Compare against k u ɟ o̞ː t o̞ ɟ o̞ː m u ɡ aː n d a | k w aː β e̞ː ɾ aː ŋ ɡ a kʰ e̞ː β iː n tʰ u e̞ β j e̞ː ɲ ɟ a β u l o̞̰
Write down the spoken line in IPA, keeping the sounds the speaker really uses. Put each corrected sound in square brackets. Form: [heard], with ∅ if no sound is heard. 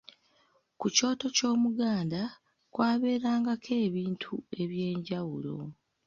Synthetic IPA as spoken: k u [c] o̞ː t o̞ [c] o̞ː m u ɡ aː n d a | k w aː β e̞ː ɾ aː ŋ ɡ a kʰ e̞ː β iː n tʰ u e̞ β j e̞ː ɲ ɟ a [w] u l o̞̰

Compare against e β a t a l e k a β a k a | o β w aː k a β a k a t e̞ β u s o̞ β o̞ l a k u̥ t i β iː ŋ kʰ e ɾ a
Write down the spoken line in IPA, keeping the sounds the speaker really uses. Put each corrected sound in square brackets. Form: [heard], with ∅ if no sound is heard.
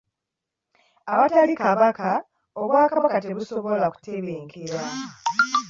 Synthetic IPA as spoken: [a] β a t a l [i] k a β a k a | o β w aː k a β a k a t e̞ β u s o̞ β o̞ l a k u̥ t [e] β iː ŋ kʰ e ɾ a

